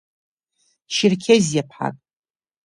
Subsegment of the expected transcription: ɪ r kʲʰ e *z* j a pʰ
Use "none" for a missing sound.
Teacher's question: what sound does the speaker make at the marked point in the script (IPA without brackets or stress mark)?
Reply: z